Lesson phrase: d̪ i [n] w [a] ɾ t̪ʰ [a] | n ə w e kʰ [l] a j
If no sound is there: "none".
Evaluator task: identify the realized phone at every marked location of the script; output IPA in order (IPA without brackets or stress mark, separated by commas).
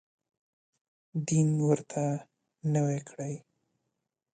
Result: n, ə, a, ɽ